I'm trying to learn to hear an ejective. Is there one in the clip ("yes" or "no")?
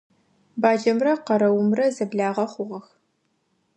no